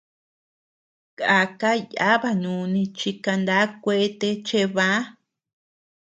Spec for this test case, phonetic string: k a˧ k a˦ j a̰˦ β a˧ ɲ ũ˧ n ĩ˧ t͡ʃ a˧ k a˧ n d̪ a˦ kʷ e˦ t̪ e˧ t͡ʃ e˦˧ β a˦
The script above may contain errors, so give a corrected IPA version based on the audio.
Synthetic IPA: k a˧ k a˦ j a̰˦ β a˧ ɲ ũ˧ n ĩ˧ t͡ʃ i˧ k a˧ n d̪ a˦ kʷ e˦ t̪ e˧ t͡ʃ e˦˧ β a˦